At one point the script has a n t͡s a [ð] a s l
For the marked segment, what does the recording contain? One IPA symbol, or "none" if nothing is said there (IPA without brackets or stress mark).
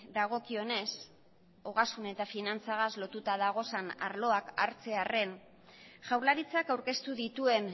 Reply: ɣ